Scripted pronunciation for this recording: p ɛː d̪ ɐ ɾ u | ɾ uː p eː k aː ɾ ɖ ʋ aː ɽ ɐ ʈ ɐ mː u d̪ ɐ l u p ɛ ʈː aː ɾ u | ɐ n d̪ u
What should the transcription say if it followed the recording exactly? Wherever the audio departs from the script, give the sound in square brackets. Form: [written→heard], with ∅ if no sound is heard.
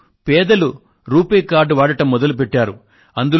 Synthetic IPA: p ɛː d̪ ɐ [ɾ→l] u | ɾ uː p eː k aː ɾ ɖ ʋ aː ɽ ɐ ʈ ɐ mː [u→ɔ] d̪ ɐ l u p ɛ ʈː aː ɾ u | ɐ n d̪ u